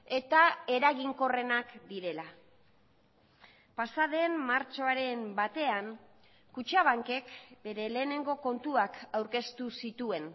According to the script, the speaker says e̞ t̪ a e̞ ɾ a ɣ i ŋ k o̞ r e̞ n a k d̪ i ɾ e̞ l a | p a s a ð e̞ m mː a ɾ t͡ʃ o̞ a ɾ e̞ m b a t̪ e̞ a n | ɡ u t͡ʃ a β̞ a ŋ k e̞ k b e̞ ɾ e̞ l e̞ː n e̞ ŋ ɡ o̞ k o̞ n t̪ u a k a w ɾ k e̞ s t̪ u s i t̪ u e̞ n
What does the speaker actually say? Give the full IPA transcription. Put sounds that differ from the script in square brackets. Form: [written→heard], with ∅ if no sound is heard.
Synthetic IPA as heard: e̞ t̪ a e̞ ɾ a ɣ i ŋ k o̞ r e̞ n a k d̪ i ɾ e̞ l a | p a s a ð e̞ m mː a ɾ t͡ʃ o̞ a ɾ e̞ m b a t̪ e̞ a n | [ɡ→k] u t͡ʃ a β̞ a ŋ k e̞ k b e̞ ɾ e̞ l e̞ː n e̞ ŋ ɡ o̞ k o̞ n t̪ u a k a w ɾ k e̞ s t̪ u s i t̪ u e̞ n